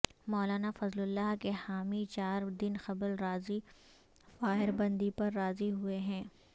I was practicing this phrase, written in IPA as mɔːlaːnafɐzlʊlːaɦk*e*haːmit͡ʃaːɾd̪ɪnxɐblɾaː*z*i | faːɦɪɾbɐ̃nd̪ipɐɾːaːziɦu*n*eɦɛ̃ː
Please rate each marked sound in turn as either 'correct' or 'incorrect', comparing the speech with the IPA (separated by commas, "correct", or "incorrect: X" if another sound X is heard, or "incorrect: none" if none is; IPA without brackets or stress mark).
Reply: correct, correct, incorrect: none